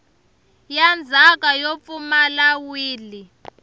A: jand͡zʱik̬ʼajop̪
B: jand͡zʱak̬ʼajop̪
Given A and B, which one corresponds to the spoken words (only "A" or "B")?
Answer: B